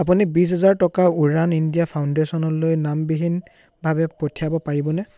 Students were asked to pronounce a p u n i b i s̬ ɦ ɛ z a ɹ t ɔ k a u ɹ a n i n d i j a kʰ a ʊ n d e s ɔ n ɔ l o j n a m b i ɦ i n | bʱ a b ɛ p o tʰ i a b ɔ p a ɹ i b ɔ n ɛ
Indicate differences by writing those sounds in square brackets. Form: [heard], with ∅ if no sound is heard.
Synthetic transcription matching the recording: a p u n i b i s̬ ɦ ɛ z a ɹ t ɔ k a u ɹ a n i n d i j a [pʰ] a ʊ n d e s ɔ n ɔ l o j n a m b i ɦ i n | bʱ a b ɛ p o tʰ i a b ɔ p a ɹ i b ɔ n ɛ